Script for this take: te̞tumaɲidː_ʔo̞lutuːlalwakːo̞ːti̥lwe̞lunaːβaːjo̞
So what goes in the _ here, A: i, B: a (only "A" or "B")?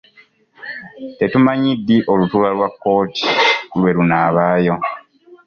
A